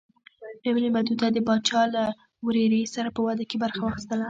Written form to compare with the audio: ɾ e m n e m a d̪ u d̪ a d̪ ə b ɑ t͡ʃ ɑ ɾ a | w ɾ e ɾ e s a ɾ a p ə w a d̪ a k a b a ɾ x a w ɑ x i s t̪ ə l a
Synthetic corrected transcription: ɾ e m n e m a d̪ u d̪ a d̪ ə b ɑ t͡ʃ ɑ l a | w ɾ e ɾ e s a ɾ a p ə w a d̪ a k e b a ɾ x a w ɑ x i s t̪ ə l a